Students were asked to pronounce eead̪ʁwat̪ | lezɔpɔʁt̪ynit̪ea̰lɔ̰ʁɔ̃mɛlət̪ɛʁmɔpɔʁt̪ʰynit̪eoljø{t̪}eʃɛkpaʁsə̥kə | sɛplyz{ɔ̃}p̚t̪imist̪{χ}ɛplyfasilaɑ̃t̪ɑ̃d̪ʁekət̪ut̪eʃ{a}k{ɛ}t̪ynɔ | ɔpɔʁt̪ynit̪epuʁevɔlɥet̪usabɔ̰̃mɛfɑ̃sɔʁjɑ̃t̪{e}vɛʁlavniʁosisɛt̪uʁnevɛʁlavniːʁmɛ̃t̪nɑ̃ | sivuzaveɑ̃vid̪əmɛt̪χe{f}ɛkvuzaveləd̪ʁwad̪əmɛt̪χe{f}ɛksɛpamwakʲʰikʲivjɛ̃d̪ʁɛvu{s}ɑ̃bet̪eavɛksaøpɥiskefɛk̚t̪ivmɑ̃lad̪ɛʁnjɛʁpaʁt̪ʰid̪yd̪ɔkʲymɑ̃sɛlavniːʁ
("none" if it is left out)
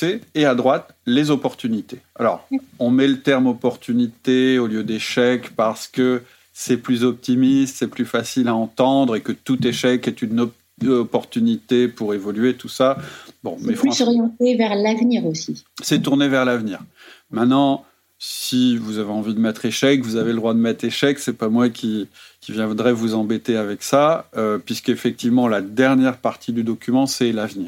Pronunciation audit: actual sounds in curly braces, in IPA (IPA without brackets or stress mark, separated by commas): d̪, ɔ, s, ɛ, ɛ, e, ʃ, ʃ, z